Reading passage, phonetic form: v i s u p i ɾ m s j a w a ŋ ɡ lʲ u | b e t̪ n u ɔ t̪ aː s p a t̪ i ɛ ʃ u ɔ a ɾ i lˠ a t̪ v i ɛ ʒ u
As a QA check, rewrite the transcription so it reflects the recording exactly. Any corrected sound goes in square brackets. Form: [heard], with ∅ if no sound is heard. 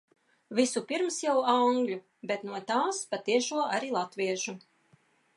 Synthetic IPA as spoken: v i s u p i ɾ m s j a w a ŋ ɡ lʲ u | b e t̪ n u ɔ t̪ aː s p a t̪ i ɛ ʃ u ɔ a ɾ i lˠ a t̪ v i ɛ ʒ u